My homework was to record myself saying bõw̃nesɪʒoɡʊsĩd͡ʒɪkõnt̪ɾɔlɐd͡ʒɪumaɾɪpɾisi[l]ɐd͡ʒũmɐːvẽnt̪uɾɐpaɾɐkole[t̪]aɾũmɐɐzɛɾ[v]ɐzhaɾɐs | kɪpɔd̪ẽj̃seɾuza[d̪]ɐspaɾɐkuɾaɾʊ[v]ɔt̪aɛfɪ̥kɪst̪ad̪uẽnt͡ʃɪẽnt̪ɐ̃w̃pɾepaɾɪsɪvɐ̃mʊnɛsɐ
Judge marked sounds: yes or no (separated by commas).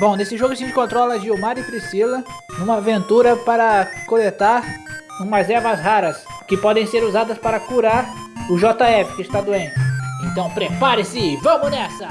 yes, yes, yes, yes, no